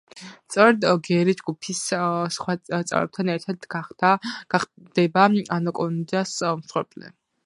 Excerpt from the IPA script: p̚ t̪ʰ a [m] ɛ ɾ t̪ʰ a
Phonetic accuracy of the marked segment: incorrect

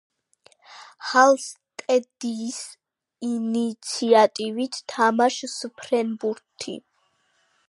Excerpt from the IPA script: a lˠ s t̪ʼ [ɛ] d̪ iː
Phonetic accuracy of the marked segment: correct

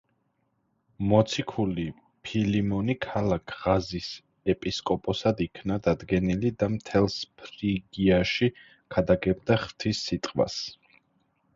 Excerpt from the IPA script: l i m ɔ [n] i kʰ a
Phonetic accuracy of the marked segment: correct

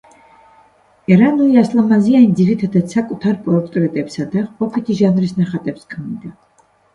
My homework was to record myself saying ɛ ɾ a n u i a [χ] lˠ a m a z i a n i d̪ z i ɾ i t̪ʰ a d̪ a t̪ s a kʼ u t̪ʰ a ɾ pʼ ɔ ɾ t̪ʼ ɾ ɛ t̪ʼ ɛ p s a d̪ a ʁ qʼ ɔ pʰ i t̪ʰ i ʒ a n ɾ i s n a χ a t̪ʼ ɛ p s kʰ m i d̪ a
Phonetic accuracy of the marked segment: incorrect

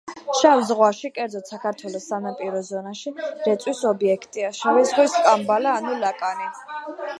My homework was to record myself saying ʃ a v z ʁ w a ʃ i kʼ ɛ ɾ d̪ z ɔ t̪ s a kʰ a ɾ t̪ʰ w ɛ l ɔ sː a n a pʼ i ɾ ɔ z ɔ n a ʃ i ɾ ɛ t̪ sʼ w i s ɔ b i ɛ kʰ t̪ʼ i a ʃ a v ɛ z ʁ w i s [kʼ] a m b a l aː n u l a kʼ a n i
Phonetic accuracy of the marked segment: correct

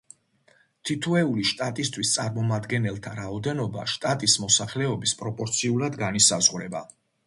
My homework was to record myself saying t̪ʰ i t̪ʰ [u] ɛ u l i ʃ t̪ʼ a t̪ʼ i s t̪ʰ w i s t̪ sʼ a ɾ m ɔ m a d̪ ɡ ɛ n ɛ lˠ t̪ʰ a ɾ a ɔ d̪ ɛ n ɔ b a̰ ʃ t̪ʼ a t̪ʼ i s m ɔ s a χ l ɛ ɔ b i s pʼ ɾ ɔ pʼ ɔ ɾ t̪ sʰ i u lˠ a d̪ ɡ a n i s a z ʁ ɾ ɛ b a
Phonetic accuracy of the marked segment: correct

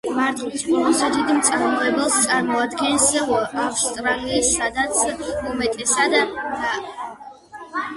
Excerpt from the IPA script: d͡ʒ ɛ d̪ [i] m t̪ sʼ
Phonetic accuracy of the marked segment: correct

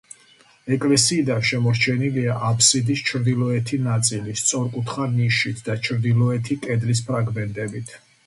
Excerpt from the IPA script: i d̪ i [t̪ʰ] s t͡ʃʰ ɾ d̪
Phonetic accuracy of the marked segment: incorrect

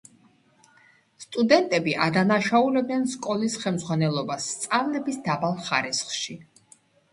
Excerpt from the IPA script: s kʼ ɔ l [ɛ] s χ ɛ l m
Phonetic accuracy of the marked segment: incorrect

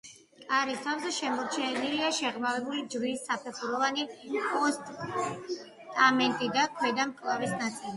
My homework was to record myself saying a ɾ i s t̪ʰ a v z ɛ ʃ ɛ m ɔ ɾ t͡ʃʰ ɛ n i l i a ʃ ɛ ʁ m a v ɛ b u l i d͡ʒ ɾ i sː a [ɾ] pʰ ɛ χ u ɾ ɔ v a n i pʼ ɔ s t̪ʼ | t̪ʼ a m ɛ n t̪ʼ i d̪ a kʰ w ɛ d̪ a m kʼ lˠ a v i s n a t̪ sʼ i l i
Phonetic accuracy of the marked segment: incorrect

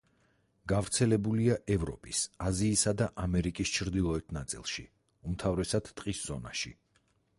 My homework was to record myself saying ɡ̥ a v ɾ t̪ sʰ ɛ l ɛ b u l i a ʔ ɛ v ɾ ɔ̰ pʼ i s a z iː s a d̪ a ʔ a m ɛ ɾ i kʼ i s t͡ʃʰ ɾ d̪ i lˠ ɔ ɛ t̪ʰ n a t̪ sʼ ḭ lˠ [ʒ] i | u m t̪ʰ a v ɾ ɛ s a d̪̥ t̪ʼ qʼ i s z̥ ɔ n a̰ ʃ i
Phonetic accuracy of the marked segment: incorrect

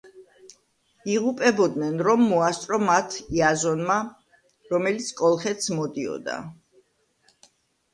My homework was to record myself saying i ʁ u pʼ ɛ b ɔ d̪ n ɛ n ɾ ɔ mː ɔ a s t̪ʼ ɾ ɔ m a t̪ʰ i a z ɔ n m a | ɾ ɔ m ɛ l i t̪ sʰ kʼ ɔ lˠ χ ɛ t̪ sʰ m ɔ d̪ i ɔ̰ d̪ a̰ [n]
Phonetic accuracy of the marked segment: incorrect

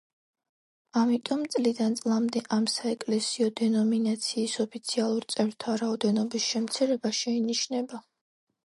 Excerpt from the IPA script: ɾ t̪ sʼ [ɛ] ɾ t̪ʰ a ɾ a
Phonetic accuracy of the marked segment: correct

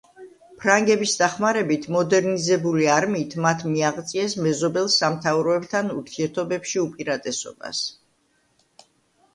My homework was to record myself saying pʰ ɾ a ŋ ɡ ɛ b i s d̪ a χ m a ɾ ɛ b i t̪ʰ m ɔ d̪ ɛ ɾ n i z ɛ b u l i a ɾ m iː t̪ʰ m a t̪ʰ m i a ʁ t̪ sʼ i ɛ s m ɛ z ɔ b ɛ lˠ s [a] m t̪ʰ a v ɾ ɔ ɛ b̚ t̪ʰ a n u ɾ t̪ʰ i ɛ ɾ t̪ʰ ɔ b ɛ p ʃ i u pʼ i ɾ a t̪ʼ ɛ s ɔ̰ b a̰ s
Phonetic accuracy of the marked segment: correct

